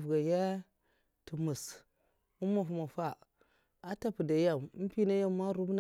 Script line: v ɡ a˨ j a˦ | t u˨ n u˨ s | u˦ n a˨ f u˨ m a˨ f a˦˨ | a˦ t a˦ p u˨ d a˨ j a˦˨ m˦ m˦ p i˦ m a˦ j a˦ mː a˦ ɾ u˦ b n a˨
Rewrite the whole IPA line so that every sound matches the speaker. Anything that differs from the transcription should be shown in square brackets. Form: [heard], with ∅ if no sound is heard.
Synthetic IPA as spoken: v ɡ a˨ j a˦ | t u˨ [m] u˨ s | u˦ [m] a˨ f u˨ m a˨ f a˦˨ | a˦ t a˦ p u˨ d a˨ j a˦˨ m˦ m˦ p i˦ [n] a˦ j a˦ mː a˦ ɾ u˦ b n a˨